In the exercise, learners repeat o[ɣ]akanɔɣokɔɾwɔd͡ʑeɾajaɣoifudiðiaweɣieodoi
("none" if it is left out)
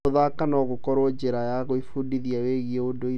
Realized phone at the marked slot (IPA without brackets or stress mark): ð